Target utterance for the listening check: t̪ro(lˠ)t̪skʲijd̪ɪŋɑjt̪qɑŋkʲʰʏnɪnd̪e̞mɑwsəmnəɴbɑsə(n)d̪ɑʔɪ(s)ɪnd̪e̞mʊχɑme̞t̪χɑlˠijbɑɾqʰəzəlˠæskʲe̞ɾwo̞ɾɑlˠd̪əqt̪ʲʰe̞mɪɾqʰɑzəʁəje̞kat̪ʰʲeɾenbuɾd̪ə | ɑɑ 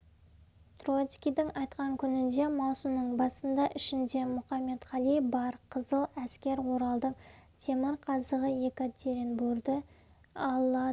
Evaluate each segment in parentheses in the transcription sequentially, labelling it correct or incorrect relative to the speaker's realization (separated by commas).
incorrect, correct, incorrect